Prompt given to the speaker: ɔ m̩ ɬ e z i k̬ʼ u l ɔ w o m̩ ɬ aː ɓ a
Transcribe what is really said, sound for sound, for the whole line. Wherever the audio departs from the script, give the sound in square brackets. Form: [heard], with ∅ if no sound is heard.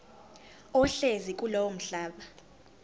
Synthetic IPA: ɔ [∅] ɬ e z i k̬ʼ u l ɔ w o m̩ ɬ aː ɓ a